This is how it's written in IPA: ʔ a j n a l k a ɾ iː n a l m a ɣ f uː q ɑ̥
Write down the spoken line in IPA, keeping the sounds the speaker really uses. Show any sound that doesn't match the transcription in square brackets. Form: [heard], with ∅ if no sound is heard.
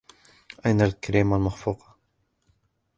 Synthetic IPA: ʔ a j n a l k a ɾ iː [m] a l m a [x] f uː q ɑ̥